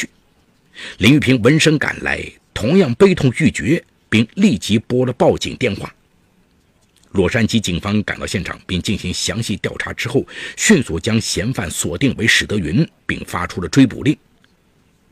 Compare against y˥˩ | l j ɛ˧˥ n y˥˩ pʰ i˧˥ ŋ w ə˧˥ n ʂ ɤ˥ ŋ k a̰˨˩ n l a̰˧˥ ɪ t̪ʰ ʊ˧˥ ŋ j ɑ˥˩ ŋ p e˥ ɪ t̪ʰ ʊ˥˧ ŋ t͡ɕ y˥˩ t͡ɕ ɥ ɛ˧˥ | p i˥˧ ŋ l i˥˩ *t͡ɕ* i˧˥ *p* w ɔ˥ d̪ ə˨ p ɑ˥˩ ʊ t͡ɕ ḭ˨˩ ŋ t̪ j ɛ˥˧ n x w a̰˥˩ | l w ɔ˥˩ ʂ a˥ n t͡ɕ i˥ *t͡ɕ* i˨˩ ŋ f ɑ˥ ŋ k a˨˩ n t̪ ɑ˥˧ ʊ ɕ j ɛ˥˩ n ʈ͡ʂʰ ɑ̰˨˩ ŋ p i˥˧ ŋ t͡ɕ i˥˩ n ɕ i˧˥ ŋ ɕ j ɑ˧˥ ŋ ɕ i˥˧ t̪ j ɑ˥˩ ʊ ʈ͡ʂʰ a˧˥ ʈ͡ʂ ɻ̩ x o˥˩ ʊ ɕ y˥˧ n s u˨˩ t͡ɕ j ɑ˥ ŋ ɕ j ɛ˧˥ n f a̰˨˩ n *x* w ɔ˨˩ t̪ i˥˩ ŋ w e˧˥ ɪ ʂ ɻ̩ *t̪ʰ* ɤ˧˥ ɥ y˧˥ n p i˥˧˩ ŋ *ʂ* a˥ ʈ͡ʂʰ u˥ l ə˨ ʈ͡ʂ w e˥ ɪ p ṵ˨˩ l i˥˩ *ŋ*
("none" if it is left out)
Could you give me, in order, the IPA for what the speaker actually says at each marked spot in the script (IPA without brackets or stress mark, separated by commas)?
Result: t͡ɕ, p, t͡ɕ, s, t̪, f, ŋ